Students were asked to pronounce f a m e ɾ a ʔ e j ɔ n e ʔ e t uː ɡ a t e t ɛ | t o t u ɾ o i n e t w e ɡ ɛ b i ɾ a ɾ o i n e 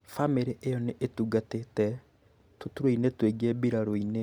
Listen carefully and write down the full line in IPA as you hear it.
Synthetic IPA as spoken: f a m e ɾ e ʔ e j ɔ n e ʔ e t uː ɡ a t e t ɛ | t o t u ɾ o i n e t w e ɡ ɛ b i ɾ a ɾ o i n e

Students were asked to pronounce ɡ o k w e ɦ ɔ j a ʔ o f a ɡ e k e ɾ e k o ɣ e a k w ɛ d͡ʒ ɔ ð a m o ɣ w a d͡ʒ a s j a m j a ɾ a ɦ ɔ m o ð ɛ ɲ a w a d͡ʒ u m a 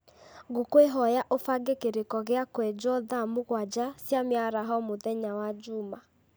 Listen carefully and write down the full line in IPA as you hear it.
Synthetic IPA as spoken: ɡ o k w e ɦ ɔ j a ʔ o f a ɡ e k e ɾ e k ɔ ɣ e a k w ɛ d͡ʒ ɔ ð a m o ɣ w a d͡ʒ a s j a m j a ɾ a ɦ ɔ m o ð ɛ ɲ a w a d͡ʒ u m a

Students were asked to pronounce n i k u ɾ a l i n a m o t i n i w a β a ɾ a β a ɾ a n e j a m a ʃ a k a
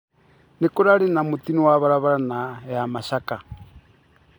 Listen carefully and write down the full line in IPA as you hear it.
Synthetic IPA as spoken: n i k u ɾ a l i n a m u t i n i w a β a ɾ a β a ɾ a n a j a m a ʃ a k a

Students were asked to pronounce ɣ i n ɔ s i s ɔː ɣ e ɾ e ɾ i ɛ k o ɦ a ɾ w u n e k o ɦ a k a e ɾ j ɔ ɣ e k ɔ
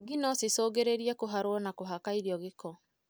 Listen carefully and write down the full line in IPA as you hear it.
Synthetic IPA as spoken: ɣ i n ɔ s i s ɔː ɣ e ɾ e ɾ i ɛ k o ɦ a ɾ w ɔ n a k o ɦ a k a i ɾ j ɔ ɣ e k ɔ

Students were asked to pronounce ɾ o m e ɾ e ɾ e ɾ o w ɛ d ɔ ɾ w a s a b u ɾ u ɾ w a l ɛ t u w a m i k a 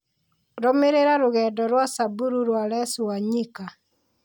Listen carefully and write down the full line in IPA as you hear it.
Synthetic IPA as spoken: ɾ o m e ɾ e ɾ a ɾ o ɣ ɛ d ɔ ɾ w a s a b u ɾ u ɾ w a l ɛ s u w a ɲ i k a

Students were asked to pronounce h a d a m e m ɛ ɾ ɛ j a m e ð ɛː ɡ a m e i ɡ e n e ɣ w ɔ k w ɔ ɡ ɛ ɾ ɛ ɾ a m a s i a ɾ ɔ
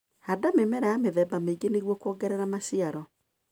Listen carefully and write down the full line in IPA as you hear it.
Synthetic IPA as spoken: h a d a m e m ɛ ɾ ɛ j a m e ð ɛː b a m e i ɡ e n e ɣ w ɔ k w ɔ ɡ ɛ ɾ ɛ ɾ a m a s i a ɾ ɔ

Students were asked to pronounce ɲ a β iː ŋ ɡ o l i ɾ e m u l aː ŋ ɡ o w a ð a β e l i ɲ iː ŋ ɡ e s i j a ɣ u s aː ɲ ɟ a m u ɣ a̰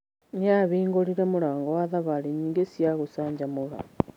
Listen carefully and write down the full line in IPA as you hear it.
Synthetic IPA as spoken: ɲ a β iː ŋ ɡ o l i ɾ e m u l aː ŋ ɡ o w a ð a β a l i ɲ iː ŋ ɡ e s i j a ɣ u s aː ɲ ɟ a m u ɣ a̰

